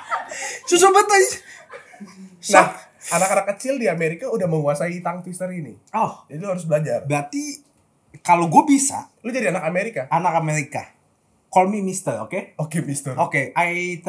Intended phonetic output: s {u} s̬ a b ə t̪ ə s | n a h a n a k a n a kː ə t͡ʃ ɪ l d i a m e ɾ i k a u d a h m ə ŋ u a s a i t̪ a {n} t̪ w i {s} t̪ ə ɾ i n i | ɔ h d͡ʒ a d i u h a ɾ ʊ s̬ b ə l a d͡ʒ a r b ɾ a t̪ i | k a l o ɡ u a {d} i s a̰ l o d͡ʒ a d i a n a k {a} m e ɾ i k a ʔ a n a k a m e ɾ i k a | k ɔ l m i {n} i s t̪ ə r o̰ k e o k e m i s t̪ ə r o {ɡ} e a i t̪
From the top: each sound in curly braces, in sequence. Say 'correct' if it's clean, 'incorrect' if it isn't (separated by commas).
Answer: correct, incorrect, correct, incorrect, correct, incorrect, incorrect